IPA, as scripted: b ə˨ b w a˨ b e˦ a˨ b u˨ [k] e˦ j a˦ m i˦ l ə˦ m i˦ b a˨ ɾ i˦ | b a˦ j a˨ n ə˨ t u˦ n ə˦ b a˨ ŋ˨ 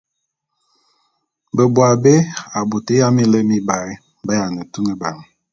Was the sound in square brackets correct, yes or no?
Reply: no